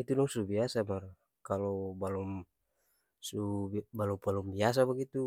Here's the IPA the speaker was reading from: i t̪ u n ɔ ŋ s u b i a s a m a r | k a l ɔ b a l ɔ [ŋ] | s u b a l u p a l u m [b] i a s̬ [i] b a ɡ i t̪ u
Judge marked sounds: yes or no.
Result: no, yes, no

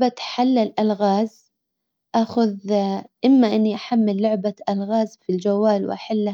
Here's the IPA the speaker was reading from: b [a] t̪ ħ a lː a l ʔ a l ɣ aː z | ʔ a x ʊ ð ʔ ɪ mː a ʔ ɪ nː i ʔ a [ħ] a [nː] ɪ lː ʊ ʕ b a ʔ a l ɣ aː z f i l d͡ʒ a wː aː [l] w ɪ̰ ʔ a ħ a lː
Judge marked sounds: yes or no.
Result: yes, yes, no, yes

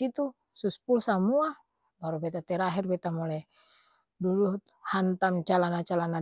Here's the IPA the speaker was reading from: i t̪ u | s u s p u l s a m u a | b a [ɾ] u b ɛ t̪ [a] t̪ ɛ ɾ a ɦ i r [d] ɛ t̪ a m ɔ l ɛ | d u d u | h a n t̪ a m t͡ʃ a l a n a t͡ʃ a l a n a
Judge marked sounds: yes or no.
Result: yes, yes, no

